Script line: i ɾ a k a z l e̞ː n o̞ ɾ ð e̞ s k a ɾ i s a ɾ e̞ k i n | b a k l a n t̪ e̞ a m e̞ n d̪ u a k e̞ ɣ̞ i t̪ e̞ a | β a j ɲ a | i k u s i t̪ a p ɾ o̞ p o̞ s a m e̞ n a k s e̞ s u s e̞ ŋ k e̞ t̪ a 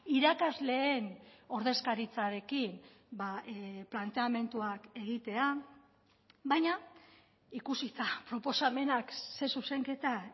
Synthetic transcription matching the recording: i ɾ a k a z l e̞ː n o̞ ɾ ð e̞ s k a ɾ i t͡s a ɾ e̞ k i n | b a p l a n t̪ e̞ a m e̞ n t̪ u a k e̞ ɣ̞ i t̪ e̞ a | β a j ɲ a | i k u s i t̪ a p ɾ o̞ p o̞ s a m e̞ n a k s e̞ s u s e̞ ŋ k e̞ t̪ a